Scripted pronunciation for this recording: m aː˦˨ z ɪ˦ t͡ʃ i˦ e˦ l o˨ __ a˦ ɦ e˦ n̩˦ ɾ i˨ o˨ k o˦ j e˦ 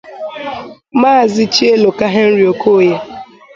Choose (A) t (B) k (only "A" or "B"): B